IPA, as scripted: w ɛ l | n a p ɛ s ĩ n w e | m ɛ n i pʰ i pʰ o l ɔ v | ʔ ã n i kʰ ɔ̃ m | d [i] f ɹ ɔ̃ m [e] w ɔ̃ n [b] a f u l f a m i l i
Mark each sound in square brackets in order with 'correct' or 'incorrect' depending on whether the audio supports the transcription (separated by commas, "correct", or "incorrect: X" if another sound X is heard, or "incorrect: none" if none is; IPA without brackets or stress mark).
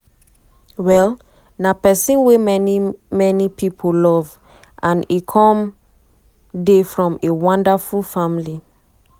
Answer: incorrect: e, correct, incorrect: d